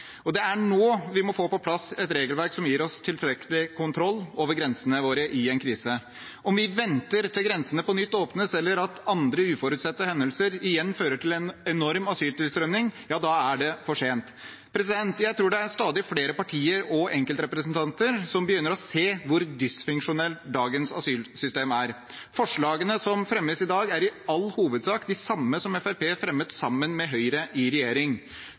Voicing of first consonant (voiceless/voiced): voiced